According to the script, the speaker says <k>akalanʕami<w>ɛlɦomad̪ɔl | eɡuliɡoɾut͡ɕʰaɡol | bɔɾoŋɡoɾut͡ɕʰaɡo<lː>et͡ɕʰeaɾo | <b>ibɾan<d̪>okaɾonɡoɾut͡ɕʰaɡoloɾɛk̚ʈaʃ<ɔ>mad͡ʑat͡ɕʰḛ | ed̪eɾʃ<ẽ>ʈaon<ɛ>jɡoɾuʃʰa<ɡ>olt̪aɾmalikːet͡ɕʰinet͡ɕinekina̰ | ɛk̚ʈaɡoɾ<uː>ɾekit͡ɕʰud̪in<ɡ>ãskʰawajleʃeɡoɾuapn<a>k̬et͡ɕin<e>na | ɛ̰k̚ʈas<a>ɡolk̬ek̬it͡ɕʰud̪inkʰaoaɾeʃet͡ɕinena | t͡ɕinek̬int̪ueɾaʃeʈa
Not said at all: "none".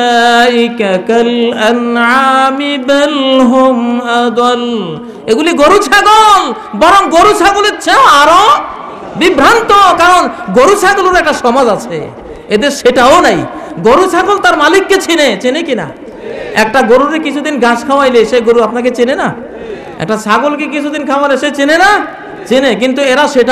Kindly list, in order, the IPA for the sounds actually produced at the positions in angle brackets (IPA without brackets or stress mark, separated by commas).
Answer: k, b, l, b, t̪, ɔ, e, a, ɡ, u, ɡ, a, e, a